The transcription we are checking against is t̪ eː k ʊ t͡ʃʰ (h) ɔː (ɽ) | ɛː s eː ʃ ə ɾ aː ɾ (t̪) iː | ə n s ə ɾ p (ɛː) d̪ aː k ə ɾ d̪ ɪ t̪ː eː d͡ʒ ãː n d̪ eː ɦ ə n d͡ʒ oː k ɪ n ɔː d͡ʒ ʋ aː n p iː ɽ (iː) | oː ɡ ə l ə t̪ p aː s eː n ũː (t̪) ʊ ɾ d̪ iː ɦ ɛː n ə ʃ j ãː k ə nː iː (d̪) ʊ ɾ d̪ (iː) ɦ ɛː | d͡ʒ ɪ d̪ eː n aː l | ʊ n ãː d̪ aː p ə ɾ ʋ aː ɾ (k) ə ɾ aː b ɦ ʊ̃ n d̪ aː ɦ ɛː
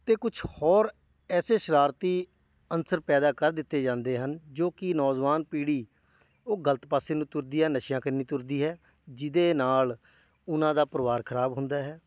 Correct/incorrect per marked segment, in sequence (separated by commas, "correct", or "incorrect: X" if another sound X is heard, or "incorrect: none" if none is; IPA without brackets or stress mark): correct, incorrect: ɾ, correct, correct, correct, correct, incorrect: t̪, correct, incorrect: kʰ